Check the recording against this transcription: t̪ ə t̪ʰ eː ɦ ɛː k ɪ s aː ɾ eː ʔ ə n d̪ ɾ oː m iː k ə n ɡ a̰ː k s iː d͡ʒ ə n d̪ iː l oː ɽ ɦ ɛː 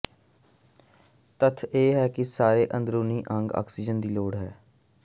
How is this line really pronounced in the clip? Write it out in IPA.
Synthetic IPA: t̪ ə t̪ʰ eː ɦ ɛː k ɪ s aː ɾ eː ʔ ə n d̪ ɾ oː n iː ʔ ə ŋ ɡ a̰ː k s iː d͡ʒ ə n d̪ iː l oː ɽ ɦ ɛː